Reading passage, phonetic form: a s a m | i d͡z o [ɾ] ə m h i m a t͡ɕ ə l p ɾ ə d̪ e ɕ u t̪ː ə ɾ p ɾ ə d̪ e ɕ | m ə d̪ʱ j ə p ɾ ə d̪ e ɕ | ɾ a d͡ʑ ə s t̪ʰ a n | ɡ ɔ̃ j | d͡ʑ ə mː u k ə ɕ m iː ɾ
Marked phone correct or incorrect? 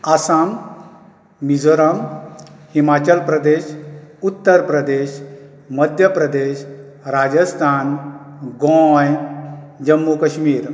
correct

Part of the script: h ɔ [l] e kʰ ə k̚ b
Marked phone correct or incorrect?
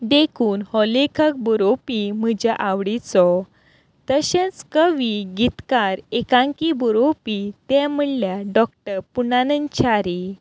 correct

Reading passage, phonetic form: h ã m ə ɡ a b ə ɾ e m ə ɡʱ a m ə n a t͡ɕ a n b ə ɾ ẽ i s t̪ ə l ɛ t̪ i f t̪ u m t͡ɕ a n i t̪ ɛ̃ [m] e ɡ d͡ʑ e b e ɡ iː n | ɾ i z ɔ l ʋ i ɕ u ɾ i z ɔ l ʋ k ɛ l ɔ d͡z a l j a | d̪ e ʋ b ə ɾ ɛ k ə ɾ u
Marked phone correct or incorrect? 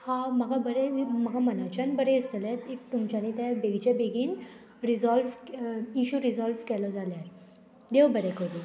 incorrect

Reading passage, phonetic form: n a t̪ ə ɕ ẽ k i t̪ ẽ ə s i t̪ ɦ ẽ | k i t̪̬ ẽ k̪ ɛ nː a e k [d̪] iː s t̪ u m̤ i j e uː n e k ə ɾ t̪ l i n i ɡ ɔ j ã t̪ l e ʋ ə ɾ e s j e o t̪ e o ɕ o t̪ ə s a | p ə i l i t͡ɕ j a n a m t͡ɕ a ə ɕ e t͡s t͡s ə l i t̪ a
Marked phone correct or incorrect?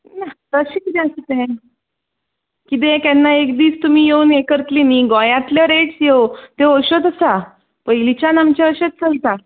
correct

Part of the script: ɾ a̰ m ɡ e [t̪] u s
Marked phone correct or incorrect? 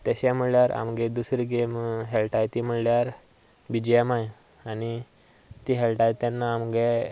incorrect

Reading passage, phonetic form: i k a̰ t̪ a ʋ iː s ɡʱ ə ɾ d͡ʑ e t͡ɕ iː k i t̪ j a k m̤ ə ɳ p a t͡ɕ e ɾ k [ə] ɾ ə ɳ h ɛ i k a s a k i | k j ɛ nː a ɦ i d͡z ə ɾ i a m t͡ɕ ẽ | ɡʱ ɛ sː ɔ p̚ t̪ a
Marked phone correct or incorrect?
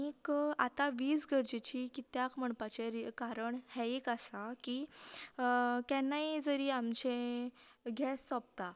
incorrect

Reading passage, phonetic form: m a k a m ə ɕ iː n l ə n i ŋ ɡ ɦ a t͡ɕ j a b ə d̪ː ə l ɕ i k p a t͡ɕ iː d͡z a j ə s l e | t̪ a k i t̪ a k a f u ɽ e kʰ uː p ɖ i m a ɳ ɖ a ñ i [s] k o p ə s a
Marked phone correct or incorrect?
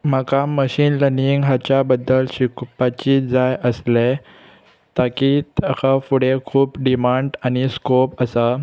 correct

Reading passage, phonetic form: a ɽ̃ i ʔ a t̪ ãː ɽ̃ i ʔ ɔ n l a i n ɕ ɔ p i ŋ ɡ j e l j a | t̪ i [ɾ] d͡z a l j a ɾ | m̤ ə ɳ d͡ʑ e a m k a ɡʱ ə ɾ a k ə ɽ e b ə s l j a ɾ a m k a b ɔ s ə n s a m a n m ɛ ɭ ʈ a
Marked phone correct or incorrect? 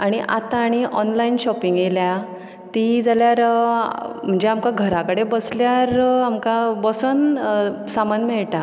incorrect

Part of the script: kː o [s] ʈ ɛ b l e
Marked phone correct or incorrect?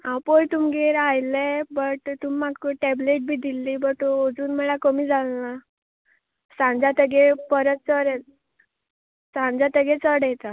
incorrect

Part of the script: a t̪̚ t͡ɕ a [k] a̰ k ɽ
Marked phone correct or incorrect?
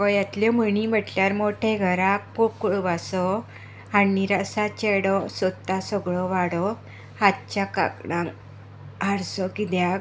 correct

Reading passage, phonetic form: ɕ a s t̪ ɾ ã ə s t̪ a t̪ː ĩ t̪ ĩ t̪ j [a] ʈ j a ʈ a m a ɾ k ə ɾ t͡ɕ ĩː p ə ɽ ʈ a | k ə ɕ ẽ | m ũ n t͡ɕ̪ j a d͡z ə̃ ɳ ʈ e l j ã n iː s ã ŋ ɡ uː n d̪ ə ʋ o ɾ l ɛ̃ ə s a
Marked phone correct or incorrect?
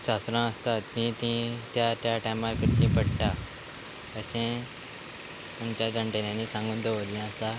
correct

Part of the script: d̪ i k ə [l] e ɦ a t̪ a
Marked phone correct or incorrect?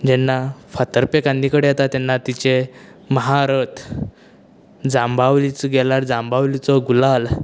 incorrect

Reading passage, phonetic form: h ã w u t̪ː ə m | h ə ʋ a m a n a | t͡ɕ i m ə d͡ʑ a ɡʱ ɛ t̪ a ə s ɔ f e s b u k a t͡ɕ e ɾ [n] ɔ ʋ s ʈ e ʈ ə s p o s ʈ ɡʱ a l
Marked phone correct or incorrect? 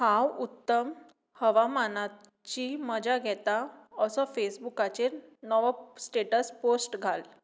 correct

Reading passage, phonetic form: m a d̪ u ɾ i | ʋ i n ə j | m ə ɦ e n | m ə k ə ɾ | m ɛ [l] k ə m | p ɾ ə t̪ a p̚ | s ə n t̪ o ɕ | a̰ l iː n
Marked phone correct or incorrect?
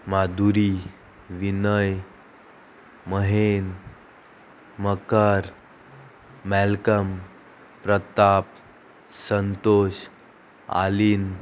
correct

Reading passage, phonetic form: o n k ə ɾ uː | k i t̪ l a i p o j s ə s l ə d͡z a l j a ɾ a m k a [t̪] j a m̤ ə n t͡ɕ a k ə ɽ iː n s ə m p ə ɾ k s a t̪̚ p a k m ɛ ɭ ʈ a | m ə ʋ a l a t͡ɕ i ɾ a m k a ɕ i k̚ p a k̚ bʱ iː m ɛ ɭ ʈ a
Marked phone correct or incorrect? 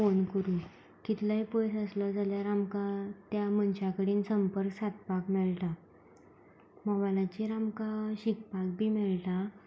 correct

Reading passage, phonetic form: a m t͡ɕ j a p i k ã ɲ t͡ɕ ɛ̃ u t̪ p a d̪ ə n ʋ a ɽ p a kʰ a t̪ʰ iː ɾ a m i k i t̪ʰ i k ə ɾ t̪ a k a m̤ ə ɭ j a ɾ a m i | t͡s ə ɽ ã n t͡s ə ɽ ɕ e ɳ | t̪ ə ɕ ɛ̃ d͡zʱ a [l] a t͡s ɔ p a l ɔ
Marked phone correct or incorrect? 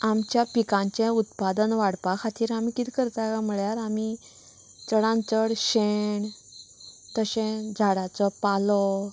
incorrect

